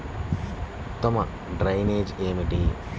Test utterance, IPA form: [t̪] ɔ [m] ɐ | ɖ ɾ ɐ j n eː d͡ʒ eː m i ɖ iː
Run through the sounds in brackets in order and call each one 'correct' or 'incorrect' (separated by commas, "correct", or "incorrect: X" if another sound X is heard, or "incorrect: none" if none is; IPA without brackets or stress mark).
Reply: correct, correct